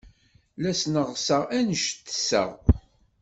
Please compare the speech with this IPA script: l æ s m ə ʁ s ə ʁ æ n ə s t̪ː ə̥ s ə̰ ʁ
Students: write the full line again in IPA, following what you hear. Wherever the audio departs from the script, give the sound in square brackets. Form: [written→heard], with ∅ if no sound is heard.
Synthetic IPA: l æ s [m→n] ə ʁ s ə ʁ æ n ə [s→ʃ] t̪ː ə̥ s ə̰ ʁ